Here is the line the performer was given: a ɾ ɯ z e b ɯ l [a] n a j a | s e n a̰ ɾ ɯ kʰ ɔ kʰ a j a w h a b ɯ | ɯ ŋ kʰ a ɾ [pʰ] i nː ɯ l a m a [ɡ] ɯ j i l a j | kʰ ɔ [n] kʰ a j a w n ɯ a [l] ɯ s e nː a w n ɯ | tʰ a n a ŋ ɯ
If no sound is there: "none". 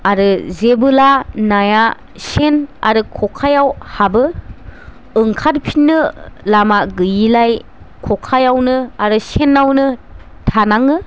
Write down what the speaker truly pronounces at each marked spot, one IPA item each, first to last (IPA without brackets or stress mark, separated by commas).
a, pʰ, ɡ, none, ɾ